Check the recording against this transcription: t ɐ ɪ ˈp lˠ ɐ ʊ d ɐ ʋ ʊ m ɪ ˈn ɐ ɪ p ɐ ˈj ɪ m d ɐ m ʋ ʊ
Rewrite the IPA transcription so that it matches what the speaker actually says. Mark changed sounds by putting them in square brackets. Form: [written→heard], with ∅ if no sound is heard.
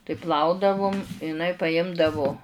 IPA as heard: t ɐ ɪ ˈp lˠ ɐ ʊ d ɐ ʋ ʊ m ɪ ˈn ɐ ɪ p ɐ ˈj ɪ m d ɐ [m→∅] ʋ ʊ